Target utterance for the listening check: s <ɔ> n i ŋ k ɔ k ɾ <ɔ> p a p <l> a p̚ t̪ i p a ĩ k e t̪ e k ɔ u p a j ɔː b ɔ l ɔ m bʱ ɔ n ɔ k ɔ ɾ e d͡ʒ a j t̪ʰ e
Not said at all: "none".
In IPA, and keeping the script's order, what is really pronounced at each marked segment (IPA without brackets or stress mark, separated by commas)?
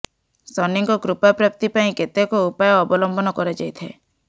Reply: ɔ, u, ɾ